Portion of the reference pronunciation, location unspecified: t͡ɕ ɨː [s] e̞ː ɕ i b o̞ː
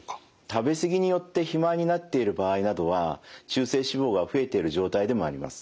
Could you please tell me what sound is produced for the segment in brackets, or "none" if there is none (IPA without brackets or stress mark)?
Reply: s